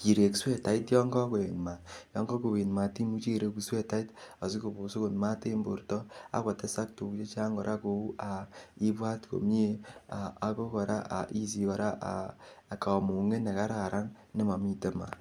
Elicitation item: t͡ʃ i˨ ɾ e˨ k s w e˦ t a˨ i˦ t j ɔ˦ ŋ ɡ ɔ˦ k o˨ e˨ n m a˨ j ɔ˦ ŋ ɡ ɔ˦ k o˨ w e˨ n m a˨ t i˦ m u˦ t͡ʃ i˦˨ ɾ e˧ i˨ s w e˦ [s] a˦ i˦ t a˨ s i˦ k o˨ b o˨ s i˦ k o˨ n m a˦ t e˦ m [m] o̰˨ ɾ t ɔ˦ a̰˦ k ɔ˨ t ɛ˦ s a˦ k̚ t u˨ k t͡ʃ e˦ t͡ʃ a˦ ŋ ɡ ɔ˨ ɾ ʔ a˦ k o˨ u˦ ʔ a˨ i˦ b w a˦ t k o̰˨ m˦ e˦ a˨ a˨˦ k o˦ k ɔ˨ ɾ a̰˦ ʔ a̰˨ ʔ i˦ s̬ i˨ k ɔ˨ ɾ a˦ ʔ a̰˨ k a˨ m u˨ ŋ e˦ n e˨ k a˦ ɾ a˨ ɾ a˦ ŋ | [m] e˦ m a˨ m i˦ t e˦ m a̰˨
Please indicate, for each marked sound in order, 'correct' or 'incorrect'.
incorrect: t, incorrect: b, incorrect: n

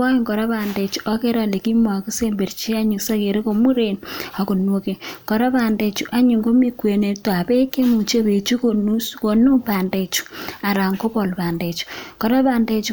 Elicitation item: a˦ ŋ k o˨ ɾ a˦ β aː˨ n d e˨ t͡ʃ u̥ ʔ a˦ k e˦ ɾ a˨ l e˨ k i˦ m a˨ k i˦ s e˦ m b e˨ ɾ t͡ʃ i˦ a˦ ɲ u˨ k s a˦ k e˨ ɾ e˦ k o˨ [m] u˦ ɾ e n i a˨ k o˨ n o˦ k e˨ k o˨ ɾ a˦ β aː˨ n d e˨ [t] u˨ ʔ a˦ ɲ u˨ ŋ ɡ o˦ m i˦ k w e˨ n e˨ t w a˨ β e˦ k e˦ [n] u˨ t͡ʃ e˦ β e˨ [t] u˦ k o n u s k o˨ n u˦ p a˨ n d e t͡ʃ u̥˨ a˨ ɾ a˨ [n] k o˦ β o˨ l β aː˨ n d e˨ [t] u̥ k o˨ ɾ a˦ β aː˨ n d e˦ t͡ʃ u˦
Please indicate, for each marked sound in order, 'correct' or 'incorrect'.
correct, incorrect: t͡ʃ, incorrect: m, incorrect: t͡ʃ, incorrect: ŋ, incorrect: t͡ʃ

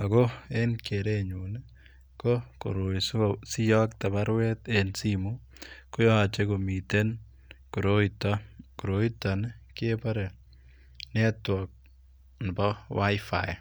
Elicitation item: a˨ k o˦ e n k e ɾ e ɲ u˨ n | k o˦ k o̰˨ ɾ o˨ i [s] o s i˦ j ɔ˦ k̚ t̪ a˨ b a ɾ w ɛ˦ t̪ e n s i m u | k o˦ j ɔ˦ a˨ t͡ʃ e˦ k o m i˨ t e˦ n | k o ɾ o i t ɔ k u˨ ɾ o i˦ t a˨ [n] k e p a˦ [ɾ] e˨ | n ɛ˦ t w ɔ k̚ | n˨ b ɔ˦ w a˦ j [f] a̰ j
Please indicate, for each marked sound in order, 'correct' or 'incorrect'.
correct, correct, correct, correct

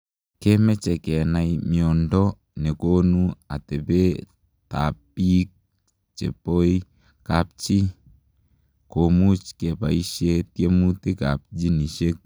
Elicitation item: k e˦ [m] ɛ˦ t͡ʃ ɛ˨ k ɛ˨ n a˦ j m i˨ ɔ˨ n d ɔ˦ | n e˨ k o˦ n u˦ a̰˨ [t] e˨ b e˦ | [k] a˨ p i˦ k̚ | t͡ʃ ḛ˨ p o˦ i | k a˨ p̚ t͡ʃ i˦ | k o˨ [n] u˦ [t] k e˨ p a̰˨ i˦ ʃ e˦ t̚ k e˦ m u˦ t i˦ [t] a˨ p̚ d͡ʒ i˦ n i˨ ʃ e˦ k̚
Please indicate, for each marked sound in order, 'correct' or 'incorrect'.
correct, correct, incorrect: t, incorrect: m, incorrect: t͡ʃ, incorrect: k

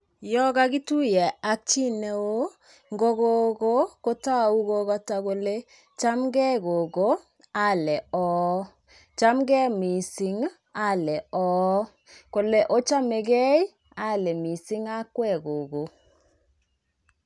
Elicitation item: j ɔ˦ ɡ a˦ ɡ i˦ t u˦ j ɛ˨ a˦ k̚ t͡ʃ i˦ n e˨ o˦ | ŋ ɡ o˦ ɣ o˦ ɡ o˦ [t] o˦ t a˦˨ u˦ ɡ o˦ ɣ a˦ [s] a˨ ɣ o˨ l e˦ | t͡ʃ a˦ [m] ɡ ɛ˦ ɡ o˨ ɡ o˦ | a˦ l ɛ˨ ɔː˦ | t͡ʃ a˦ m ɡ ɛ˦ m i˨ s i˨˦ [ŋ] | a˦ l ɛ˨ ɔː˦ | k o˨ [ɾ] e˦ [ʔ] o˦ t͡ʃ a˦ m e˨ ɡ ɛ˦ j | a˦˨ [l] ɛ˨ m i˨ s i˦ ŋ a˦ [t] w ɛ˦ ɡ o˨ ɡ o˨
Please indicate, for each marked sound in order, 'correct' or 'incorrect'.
incorrect: k, incorrect: t, correct, correct, incorrect: l, correct, correct, incorrect: k

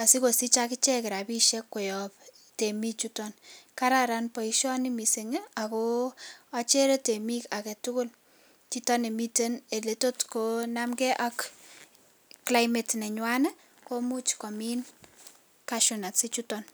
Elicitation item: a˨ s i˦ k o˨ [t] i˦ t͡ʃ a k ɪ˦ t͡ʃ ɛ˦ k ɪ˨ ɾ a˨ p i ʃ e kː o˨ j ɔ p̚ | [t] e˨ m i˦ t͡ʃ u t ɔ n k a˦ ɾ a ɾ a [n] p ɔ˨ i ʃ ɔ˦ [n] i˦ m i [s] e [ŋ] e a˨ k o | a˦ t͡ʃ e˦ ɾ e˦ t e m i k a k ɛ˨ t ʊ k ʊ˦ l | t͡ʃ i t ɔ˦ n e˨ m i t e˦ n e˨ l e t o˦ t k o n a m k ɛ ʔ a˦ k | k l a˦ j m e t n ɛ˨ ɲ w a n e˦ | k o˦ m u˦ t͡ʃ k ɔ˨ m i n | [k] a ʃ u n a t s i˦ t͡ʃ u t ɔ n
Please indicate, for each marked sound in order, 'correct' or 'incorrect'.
incorrect: s, correct, correct, correct, correct, correct, correct

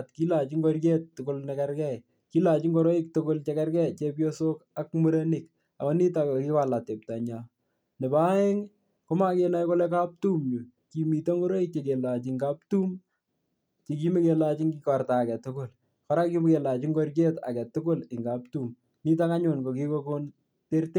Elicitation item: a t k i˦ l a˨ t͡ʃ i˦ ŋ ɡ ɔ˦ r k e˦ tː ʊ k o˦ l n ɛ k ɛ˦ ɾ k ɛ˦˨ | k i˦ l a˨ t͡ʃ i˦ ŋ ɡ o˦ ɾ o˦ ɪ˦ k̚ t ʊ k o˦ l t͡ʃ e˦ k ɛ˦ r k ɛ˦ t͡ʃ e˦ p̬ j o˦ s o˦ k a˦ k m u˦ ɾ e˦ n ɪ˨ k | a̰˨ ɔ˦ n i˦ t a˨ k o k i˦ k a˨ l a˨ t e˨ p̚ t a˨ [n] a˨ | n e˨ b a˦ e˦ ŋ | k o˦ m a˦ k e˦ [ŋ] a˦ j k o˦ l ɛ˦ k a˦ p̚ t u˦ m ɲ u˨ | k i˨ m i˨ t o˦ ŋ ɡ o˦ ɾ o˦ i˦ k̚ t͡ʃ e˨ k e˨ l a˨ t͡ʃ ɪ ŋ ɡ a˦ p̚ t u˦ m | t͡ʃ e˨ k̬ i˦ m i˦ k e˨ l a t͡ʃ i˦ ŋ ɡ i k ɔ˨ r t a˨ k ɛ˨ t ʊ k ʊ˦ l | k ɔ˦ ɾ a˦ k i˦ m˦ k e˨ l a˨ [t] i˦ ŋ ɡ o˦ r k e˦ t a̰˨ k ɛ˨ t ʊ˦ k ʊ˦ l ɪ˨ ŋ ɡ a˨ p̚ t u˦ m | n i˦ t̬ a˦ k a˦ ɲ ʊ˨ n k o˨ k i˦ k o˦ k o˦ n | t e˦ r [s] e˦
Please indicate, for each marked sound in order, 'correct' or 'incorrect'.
incorrect: ɲ, incorrect: n, incorrect: t͡ʃ, incorrect: t

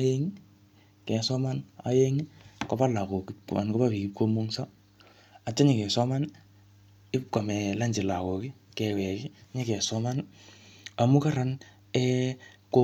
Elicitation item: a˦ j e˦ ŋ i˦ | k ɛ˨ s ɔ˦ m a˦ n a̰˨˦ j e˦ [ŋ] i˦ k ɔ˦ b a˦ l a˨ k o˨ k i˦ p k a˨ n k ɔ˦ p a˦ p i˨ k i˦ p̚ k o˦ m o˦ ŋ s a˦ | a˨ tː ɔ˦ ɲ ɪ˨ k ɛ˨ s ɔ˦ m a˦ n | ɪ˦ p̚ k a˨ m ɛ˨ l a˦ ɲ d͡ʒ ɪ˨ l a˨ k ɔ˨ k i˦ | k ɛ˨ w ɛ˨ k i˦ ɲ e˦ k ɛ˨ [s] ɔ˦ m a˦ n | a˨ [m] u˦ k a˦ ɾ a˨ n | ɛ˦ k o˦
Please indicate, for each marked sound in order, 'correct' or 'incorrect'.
correct, correct, correct

